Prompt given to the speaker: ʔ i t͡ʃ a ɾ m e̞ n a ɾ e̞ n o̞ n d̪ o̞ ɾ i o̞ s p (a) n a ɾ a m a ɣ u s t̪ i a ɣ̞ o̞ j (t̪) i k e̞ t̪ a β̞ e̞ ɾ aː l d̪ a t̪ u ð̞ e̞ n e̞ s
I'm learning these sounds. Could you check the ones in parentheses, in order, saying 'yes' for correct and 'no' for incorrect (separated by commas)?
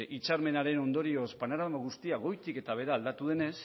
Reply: yes, yes